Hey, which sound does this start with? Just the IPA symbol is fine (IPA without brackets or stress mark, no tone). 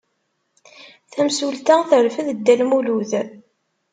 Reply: θ